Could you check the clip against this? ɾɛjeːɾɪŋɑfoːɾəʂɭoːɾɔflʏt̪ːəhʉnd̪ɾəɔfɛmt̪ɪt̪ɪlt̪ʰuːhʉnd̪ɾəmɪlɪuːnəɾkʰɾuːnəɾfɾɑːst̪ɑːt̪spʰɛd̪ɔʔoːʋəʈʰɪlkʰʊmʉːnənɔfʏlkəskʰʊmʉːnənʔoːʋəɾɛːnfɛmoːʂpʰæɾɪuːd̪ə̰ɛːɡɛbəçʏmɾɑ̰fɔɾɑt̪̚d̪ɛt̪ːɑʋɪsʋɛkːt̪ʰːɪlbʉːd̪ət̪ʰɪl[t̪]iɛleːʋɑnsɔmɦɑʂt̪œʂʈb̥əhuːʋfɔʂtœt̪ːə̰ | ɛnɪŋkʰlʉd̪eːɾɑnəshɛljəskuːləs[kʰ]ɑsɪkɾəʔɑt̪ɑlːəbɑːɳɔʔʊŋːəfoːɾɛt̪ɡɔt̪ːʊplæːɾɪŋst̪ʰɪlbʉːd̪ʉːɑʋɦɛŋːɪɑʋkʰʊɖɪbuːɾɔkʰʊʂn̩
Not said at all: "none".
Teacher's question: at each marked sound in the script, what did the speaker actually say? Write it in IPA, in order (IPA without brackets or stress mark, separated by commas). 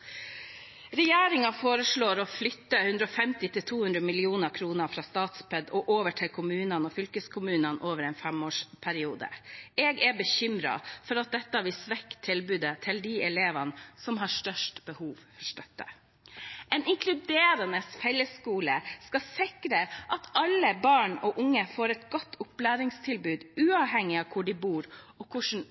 d̪, k